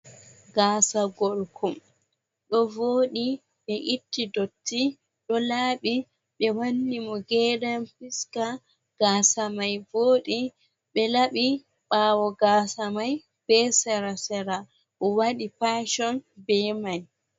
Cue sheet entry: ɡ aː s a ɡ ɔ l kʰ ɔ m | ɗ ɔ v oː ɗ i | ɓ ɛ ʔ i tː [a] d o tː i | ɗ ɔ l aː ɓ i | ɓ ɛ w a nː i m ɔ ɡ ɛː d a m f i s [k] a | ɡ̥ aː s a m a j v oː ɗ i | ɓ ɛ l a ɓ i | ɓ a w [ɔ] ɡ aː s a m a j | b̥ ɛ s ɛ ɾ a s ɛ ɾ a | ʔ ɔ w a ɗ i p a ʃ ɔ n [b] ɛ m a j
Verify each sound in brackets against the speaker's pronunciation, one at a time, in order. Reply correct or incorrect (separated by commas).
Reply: incorrect, correct, correct, correct